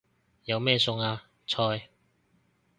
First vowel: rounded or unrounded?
unrounded